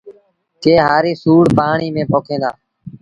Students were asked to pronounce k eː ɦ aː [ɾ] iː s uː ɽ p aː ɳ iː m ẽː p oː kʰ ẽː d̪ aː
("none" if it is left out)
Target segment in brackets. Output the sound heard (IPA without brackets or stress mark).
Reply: ɾ